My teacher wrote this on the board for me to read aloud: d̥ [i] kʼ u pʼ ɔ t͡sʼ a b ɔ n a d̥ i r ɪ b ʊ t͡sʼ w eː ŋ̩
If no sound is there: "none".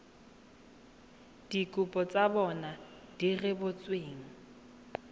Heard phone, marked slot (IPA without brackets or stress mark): i